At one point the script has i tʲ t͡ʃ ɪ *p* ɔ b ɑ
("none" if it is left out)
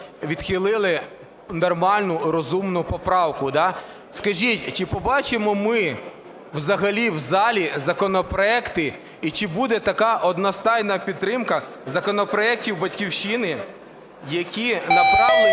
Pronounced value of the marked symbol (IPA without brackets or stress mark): p